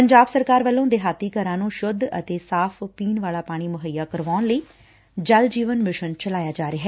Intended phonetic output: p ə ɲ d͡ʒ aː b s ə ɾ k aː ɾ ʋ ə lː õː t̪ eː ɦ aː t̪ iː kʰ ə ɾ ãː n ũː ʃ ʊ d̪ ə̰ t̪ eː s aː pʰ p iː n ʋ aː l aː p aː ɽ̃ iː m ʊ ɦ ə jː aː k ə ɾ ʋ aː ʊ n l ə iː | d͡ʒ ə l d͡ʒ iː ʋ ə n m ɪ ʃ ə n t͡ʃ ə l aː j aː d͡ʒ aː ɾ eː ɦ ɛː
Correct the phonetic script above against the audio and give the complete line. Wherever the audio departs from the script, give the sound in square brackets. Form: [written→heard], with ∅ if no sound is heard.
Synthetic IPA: p ə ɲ d͡ʒ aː b s ə ɾ k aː ɾ ʋ ə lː õː [t̪→d̪] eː ɦ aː t̪ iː [kʰ→k] ə ɾ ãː n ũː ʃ ʊ d̪ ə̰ t̪ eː s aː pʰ p iː n ʋ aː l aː p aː ɽ̃ iː m ʊ ɦ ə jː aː k ə ɾ ʋ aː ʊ n l ə iː | d͡ʒ ə l d͡ʒ iː ʋ ə n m ɪ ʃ ə n t͡ʃ ə l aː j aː d͡ʒ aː ɾ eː ɦ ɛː